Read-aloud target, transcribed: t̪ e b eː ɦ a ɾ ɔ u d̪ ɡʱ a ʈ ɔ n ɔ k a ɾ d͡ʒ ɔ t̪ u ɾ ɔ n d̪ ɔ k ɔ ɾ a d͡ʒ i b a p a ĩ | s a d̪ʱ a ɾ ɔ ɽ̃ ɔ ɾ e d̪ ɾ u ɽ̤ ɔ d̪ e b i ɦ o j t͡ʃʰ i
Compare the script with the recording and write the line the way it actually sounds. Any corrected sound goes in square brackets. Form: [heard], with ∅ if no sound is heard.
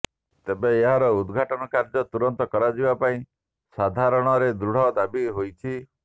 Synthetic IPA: t̪ e b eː ɦ a ɾ ɔ u d̪ ɡʱ a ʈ ɔ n ɔ k a ɾ d͡ʒ ɔ t̪ u ɾ ɔ n [t̪] ɔ k ɔ ɾ a d͡ʒ i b a p a ĩ | s a d̪ʱ a ɾ ɔ ɽ̃ ɔ ɾ e d̪ ɾ u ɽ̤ ɔ d̪ [a] b i ɦ o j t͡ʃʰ i

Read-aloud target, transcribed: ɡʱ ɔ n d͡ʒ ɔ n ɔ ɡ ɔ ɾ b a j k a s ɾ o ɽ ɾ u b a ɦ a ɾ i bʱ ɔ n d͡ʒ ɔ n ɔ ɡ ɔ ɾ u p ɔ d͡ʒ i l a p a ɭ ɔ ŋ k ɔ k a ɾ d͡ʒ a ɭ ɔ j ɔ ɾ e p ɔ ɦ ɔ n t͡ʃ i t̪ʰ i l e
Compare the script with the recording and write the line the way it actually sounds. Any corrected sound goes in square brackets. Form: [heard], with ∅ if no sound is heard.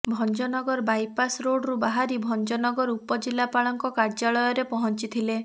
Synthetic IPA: [bʱ] ɔ n d͡ʒ ɔ n ɔ ɡ ɔ ɾ b a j [p] a s ɾ o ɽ ɾ u b a ɦ a ɾ i bʱ ɔ n d͡ʒ ɔ n ɔ ɡ ɔ ɾ u p ɔ d͡ʒ i l a p a ɭ ɔ ŋ k ɔ k a ɾ d͡ʒ a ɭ ɔ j ɔ ɾ e p ɔ ɦ ɔ n t͡ʃ i t̪ʰ i l e

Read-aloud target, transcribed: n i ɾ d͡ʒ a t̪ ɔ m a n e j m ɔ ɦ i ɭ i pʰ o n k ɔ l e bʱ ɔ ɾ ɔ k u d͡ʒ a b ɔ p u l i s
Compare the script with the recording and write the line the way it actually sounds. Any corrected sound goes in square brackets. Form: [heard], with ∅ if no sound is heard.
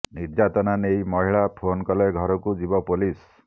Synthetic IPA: n i ɾ d͡ʒ a t̪ ɔ [n] a n e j m ɔ ɦ i ɭ [a] pʰ o n k ɔ l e [ɡʱ] ɔ ɾ ɔ k u d͡ʒ [i] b ɔ p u l i s

